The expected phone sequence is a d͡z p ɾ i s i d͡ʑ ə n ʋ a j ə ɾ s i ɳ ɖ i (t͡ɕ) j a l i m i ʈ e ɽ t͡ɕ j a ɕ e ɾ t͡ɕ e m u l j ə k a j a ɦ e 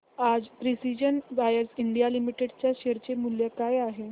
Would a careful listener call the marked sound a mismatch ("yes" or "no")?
yes